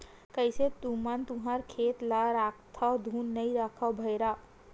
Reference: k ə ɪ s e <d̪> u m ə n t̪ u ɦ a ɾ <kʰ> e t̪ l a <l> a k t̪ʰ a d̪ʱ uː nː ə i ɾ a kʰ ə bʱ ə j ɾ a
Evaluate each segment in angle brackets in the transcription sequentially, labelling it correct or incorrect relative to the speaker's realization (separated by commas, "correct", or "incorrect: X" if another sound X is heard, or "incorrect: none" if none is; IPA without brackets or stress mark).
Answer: incorrect: t̪, correct, incorrect: ɾ